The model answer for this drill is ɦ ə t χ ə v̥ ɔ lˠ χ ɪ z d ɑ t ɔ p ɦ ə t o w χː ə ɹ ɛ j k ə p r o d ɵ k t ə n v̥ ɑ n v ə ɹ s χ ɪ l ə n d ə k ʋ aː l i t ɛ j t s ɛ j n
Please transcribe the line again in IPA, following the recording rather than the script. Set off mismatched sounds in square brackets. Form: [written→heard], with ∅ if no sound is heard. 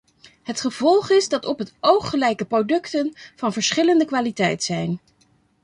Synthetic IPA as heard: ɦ ə t χ ə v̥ ɔ lˠ χ ɪ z d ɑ t ɔ p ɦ ə t o w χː ə [ɹ→l] ɛ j k ə p r o d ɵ k t ə n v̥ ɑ n v ə ɹ s χ ɪ l ə n d ə k ʋ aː l i t ɛ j t s ɛ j n